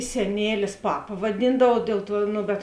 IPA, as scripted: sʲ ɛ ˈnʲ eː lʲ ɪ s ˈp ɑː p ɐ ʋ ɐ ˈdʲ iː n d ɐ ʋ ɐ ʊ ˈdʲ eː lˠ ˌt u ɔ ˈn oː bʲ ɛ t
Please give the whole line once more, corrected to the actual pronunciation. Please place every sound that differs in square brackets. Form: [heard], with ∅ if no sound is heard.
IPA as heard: sʲ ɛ ˈnʲ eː lʲ ɪ s ˈp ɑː p ɐ ʋ ɐ ˈdʲ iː n d ɐ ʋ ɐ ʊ ˈdʲ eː lˠ ˌt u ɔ ˈn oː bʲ ɛ t

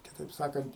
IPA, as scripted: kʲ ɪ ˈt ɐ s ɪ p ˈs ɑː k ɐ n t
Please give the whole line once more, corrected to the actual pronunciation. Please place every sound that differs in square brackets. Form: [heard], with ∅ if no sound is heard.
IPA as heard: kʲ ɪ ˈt ɐ [∅] ɪ p ˈs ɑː k ɐ n t

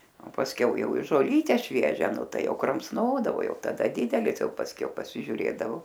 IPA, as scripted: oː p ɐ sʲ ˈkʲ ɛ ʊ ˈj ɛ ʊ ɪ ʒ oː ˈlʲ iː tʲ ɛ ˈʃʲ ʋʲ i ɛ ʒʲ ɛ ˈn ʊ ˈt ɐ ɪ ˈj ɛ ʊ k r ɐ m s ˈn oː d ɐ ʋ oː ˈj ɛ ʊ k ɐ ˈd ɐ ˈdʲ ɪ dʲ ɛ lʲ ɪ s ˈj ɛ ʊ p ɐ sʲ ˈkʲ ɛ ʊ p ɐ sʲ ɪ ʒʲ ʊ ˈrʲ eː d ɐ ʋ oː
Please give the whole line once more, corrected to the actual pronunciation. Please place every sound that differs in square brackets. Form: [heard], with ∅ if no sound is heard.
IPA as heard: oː p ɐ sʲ ˈkʲ ɛ ʊ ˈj ɛ ʊ ɪ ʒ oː ˈlʲ iː tʲ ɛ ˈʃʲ ʋʲ i ɛ ʒʲ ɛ ˈn ʊ ˈt ɐ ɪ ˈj ɛ ʊ k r ɐ m s ˈn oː d ɐ ʋ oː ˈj ɛ ʊ [t] ɐ ˈd ɐ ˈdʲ ɪ dʲ ɛ lʲ ɪ s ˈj ɛ ʊ p ɐ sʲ ˈkʲ ɛ ʊ p ɐ sʲ ɪ ʒʲ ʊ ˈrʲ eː d ɐ ʋ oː

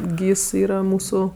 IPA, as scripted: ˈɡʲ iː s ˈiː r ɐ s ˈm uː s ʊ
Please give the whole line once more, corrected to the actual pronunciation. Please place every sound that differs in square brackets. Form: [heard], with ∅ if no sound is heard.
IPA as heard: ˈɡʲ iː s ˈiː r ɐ [∅] ˈm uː s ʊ

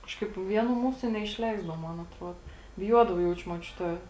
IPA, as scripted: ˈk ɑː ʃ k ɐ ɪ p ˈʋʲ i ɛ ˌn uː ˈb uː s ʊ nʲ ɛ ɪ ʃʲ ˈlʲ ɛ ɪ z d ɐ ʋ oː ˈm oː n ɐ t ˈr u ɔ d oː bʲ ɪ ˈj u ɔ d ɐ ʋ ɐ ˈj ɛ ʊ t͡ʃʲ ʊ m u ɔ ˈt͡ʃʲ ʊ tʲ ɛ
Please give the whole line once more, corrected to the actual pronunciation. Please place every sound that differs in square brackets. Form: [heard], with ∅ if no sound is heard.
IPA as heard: ˈk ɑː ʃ k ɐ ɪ p ˈʋʲ i ɛ ˌn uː [ˈm] uː s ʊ nʲ ɛ ɪ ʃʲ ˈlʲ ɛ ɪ z d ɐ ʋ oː ˈm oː n ɐ t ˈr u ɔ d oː bʲ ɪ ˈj u ɔ d ɐ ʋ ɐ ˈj ɛ ʊ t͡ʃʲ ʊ m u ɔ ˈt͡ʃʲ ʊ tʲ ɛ

